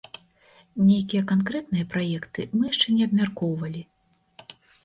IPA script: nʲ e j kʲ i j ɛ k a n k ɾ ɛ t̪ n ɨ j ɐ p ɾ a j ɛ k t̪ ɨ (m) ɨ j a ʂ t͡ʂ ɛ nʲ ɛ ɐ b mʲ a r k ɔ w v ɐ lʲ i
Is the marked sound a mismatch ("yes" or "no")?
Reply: no